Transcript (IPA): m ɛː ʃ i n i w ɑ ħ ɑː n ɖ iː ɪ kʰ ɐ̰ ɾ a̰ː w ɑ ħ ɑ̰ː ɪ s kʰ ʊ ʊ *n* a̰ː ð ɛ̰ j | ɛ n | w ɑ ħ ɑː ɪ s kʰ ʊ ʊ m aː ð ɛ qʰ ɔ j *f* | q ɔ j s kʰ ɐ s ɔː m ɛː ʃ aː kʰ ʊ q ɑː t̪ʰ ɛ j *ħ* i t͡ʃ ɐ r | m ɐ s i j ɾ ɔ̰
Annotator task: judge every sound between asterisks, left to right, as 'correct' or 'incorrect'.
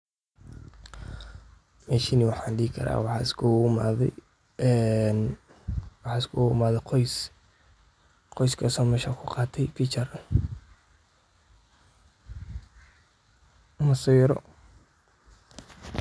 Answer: incorrect: m, incorrect: s, incorrect: f

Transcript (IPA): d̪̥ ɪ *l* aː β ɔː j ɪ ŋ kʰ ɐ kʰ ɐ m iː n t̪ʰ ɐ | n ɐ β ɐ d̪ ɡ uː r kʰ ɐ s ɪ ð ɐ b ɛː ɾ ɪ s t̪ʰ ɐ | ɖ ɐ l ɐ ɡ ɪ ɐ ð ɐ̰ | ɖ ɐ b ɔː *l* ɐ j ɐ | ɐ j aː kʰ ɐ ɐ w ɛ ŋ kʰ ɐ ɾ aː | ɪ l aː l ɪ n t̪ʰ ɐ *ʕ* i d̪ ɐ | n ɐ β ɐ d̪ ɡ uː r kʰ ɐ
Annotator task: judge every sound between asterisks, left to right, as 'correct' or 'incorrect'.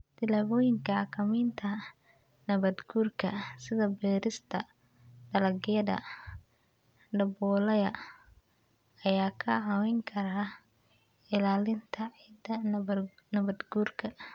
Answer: correct, correct, correct

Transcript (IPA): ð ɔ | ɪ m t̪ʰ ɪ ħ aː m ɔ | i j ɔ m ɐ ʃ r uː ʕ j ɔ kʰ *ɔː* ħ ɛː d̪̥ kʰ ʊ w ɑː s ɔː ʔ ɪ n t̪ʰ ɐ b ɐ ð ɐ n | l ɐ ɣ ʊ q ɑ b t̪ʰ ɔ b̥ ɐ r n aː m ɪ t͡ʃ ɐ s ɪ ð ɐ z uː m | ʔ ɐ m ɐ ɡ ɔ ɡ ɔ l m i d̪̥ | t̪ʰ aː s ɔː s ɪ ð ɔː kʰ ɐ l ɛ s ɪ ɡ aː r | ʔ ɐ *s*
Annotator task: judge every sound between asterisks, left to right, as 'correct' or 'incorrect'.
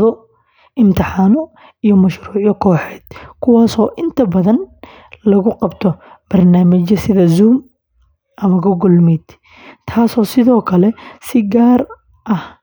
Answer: correct, incorrect: h

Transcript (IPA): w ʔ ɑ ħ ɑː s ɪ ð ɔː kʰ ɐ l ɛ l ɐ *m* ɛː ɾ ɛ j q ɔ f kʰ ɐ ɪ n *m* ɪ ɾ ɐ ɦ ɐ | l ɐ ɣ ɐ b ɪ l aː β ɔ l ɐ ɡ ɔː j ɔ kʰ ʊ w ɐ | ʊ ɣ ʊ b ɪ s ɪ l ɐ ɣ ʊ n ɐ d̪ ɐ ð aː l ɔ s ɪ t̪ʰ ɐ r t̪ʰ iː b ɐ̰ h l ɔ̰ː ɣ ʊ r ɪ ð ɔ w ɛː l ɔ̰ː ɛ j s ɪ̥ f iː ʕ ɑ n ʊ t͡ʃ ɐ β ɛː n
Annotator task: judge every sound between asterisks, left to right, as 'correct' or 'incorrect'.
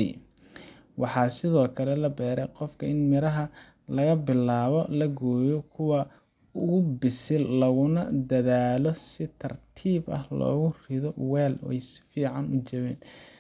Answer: incorrect: b, correct

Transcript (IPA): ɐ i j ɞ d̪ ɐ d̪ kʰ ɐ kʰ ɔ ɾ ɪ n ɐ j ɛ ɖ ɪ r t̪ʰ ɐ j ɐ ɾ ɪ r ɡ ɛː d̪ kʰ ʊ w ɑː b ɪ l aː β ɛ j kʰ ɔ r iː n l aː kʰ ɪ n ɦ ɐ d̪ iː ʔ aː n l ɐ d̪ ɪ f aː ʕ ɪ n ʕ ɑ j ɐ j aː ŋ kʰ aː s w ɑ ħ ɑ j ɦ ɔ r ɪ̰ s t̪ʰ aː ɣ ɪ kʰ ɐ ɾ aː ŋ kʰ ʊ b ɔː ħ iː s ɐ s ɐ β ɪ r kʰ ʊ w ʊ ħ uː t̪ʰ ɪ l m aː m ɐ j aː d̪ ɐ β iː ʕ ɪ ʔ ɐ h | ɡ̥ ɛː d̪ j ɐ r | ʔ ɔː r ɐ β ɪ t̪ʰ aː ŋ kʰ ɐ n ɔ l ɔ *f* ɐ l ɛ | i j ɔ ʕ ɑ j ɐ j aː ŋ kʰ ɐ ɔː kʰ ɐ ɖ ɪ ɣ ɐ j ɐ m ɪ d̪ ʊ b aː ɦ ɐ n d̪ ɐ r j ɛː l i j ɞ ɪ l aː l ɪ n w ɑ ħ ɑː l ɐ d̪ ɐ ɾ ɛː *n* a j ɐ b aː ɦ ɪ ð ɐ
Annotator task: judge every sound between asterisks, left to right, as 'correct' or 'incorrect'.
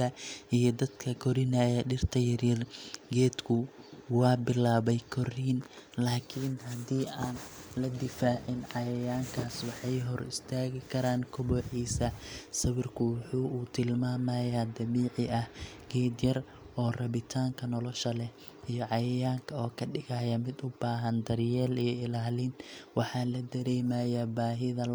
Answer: incorrect: ʃ, incorrect: m

